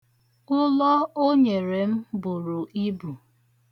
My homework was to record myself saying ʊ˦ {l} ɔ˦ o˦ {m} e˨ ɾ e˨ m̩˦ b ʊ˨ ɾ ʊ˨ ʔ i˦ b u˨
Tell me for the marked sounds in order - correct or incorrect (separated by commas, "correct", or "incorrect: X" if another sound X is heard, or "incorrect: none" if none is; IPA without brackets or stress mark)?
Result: correct, incorrect: ɲ